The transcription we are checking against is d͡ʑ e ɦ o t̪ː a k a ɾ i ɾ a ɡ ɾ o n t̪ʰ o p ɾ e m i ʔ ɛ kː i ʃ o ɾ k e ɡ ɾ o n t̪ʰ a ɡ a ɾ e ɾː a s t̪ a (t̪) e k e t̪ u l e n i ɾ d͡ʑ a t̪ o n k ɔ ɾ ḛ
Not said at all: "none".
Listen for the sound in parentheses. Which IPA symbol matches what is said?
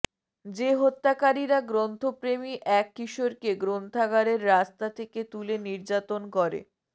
t̪ʰ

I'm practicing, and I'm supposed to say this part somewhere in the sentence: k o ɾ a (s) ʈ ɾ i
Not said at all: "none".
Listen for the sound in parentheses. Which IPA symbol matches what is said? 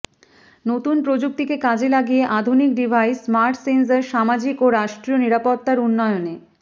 ʃ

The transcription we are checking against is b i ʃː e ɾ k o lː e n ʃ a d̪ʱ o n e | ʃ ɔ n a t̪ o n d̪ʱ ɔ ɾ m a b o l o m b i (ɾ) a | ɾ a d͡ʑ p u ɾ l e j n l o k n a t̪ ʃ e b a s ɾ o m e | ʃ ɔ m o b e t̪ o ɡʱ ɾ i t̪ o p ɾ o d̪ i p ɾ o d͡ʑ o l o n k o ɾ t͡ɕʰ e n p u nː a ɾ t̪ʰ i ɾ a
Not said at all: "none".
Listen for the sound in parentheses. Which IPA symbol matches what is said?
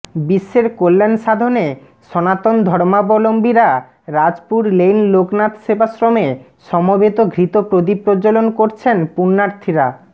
ɾ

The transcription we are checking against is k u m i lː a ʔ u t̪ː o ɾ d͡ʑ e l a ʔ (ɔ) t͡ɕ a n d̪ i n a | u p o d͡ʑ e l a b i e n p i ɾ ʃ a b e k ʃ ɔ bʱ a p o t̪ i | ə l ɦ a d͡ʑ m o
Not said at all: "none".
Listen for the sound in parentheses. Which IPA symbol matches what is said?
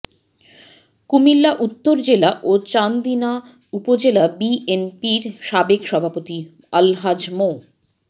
o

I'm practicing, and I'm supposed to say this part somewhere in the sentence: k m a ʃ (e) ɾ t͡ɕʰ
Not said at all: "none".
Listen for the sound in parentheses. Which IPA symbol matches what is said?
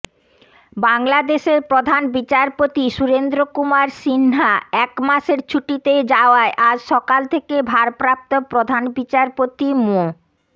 e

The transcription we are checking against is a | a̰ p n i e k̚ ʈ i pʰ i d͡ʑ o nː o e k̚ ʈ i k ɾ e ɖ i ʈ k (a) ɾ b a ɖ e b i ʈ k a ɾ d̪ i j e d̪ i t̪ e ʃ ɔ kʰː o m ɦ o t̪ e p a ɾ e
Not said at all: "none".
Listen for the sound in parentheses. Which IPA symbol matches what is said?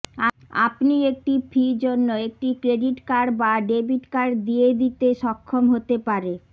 a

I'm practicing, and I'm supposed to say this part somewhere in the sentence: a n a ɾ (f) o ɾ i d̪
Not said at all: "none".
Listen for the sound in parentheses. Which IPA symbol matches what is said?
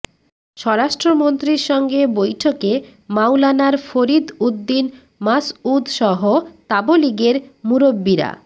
f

